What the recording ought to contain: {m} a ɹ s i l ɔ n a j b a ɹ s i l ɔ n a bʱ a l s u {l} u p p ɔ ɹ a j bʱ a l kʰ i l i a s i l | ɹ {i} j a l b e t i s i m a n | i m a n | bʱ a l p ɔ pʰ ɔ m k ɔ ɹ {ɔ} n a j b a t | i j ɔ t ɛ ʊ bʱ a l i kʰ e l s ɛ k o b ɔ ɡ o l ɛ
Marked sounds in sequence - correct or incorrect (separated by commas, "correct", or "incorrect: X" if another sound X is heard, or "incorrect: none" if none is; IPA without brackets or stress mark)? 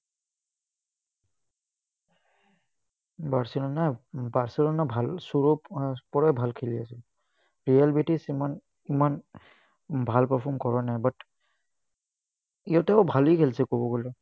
incorrect: b, incorrect: ɹ, correct, correct